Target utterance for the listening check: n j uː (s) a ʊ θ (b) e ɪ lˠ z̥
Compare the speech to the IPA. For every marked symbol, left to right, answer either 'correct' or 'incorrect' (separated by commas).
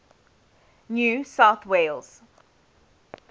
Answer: correct, incorrect